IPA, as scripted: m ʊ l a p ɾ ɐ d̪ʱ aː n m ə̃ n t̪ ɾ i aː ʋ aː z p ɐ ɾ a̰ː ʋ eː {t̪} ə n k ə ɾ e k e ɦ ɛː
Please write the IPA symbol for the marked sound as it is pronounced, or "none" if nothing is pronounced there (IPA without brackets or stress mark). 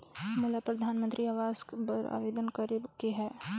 d̪